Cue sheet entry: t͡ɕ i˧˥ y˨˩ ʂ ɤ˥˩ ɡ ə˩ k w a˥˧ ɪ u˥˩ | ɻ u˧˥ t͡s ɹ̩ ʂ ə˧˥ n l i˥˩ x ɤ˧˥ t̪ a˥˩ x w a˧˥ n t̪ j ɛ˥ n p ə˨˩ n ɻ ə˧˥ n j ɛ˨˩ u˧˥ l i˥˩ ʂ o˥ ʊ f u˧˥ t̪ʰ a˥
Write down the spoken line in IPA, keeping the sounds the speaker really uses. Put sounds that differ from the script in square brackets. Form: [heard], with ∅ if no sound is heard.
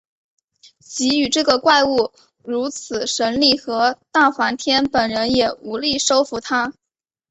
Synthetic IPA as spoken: t͡ɕ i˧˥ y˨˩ [ʈ͡ʂ] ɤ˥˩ ɡ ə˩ k w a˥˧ ɪ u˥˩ | ɻ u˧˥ [t͡sʰ] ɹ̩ ʂ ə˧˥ n l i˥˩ x ɤ˧˥ t̪ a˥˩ x w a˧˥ n [t̪ʰ] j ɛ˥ n p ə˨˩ n ɻ ə˧˥ n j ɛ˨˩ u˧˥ l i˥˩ ʂ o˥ ʊ f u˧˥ t̪ʰ a˥